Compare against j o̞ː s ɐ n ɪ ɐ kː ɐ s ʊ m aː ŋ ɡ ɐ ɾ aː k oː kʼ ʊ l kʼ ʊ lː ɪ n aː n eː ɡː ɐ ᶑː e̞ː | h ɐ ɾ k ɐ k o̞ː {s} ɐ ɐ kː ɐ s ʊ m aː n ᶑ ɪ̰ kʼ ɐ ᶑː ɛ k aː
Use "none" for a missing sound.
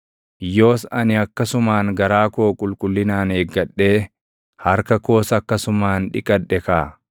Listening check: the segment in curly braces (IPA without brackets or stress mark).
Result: s